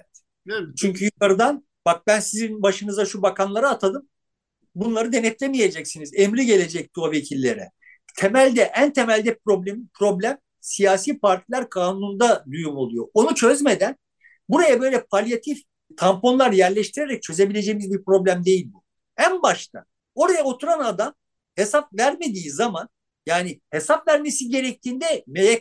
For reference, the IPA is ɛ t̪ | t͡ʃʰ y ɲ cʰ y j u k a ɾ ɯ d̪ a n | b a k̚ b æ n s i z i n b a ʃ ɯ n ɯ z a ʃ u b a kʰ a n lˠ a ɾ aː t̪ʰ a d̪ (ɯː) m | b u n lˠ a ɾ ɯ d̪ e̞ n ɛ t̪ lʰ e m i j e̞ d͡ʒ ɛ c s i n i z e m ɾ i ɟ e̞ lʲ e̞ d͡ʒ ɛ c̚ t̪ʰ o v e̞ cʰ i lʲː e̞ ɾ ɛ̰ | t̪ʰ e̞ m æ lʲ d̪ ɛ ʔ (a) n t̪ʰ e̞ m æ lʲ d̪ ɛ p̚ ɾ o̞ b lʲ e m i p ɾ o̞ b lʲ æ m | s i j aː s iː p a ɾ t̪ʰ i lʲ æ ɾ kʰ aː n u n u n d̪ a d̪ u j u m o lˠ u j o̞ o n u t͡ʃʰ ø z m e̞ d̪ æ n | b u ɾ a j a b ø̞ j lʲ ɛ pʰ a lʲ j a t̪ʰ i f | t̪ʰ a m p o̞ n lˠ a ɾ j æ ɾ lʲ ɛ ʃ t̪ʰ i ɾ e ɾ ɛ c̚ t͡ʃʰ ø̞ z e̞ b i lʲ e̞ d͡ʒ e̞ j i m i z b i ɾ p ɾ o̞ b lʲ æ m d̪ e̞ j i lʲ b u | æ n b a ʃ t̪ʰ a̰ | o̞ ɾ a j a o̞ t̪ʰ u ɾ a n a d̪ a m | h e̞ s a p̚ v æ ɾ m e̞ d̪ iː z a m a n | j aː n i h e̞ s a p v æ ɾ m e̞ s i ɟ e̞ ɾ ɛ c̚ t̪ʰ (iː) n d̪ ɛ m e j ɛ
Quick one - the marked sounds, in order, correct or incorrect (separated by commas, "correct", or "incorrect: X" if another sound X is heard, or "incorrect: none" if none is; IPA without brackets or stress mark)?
incorrect: ɯ, incorrect: æ, correct